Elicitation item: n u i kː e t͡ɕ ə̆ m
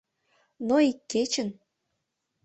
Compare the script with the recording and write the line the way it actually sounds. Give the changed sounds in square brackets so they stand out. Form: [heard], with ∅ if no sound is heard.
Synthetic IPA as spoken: n [o] i kː e t͡ɕ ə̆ [n]